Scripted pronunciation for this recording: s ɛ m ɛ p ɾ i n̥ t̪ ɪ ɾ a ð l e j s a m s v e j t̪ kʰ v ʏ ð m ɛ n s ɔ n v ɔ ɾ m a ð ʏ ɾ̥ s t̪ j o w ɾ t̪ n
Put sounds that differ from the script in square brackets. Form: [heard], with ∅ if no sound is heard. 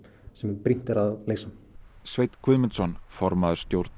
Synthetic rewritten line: s ɛ m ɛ p ɾ i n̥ t̪ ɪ ɾ a ð l e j s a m s v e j t̪ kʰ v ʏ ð m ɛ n s ɔ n [f] ɔ ɾ m a ð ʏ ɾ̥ s t̪ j o w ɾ t̪ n